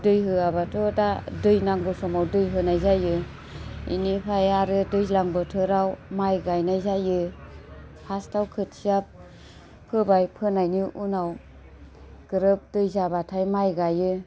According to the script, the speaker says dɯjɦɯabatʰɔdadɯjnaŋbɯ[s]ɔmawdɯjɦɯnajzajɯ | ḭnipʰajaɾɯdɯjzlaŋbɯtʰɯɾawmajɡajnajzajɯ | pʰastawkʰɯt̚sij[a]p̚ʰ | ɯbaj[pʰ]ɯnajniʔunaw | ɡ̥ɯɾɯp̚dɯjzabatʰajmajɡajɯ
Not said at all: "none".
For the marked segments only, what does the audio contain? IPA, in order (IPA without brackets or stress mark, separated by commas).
s, a, pʰ